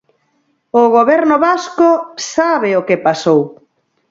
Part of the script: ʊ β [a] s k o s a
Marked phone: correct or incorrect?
correct